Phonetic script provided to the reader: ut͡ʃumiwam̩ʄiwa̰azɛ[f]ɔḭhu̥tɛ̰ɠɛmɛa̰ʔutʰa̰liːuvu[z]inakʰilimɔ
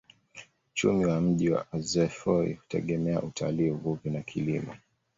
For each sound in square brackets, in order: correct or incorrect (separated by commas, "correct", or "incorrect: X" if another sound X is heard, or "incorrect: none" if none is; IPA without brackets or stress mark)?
correct, incorrect: v